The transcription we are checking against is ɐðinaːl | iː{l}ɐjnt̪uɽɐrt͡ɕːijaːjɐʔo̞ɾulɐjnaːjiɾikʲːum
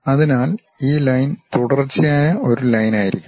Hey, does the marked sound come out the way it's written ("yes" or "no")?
yes